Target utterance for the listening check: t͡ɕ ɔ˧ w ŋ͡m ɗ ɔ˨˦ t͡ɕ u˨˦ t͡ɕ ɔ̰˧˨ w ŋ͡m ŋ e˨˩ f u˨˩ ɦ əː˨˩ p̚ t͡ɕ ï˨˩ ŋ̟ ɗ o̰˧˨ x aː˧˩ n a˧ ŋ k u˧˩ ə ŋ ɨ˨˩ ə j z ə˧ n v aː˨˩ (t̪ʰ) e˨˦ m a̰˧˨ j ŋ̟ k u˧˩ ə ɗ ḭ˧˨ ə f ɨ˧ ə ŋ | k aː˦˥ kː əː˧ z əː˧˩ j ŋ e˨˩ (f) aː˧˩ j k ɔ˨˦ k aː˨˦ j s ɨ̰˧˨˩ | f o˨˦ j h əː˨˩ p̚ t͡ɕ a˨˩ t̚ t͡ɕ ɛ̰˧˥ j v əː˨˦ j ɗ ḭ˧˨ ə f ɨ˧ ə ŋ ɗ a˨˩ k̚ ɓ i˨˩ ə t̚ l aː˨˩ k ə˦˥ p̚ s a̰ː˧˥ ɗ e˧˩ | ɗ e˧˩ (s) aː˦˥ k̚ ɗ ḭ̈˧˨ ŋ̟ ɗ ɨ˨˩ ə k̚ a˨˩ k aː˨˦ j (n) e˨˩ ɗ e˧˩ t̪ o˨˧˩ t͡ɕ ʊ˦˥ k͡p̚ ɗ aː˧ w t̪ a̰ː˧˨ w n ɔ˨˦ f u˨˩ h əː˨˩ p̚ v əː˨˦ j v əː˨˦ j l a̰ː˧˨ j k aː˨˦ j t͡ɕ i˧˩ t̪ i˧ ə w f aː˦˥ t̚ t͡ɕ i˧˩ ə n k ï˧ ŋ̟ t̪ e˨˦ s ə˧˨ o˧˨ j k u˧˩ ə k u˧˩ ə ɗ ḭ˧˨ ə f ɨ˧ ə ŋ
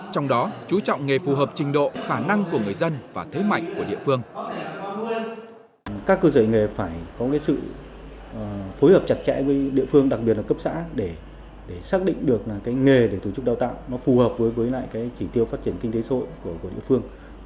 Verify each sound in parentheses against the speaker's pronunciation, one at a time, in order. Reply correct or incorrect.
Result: correct, correct, correct, incorrect: ŋ

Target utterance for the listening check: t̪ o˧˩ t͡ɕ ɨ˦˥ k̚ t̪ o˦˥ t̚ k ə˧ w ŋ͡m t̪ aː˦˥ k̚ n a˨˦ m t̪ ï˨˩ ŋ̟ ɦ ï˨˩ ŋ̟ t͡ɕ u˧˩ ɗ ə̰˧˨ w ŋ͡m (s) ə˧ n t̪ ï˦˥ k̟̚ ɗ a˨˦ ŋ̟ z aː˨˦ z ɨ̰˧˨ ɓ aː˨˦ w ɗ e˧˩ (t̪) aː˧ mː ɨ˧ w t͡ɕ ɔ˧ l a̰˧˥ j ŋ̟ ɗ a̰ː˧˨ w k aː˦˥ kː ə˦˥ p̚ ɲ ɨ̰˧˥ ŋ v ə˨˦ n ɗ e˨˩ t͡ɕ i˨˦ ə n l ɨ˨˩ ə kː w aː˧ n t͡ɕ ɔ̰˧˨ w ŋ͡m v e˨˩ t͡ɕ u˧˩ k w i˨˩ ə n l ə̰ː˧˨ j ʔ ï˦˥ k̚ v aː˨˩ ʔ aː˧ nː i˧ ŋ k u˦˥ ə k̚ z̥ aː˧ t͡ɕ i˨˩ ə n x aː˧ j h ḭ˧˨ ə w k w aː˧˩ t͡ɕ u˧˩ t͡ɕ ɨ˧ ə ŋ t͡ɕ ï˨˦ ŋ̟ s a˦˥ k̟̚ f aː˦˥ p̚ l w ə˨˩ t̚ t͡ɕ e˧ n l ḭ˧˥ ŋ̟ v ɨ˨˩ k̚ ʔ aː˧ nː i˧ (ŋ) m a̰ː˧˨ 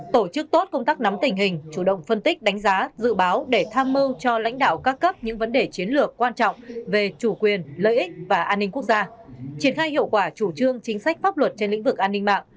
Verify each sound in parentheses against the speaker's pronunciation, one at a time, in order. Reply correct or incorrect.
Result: incorrect: f, incorrect: t̪ʰ, correct

